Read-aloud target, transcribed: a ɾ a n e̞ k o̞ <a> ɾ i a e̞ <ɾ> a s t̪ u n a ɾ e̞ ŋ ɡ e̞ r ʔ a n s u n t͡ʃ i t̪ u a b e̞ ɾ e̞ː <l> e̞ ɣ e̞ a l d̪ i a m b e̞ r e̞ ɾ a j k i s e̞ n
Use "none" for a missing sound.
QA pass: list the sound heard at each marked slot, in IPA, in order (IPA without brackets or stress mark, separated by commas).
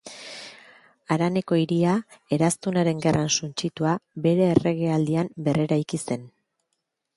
i, ɾ, r